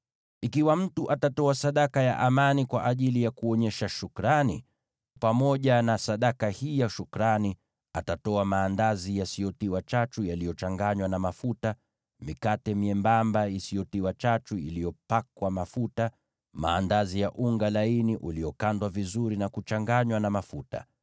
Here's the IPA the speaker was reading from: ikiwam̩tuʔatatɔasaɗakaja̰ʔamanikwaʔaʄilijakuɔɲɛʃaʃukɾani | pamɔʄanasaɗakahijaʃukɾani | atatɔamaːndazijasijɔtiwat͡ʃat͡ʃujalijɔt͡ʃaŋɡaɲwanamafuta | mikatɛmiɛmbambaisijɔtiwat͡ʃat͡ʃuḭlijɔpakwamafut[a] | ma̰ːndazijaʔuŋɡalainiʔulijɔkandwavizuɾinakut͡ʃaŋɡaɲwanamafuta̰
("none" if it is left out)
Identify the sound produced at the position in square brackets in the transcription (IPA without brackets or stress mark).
a